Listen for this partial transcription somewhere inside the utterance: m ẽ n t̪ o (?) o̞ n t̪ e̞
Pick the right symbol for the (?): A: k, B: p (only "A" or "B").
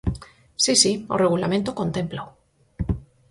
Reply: A